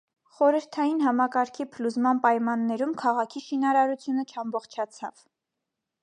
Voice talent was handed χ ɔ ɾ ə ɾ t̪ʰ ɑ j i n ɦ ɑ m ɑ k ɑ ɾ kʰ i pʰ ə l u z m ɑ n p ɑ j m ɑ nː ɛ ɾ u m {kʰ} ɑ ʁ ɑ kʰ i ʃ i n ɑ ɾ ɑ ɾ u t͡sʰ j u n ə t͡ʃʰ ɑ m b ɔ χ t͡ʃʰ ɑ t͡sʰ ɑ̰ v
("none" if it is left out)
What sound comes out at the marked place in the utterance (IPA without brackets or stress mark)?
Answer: kʰ